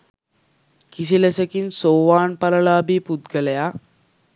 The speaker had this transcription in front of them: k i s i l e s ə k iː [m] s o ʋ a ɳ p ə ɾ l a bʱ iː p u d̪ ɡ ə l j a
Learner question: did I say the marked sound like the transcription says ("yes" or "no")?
no